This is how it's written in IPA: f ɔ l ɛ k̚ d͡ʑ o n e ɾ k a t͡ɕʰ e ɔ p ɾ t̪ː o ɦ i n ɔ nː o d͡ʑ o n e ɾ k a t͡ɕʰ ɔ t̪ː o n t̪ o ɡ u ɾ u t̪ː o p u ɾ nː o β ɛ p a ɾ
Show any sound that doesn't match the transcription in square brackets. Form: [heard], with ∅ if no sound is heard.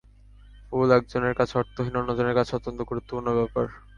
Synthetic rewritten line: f [u] l ɛ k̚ d͡ʑ o n e ɾ k a t͡ɕʰ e ɔ [∅] ɾ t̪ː o ɦ i n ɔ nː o d͡ʑ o n e ɾ k a t͡ɕʰ ɔ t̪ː o n t̪ o ɡ u ɾ u t̪ː o p u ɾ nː o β ɛ p a ɾ